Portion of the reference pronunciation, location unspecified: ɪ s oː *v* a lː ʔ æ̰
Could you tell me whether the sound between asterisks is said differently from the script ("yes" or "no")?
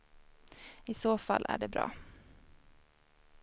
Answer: yes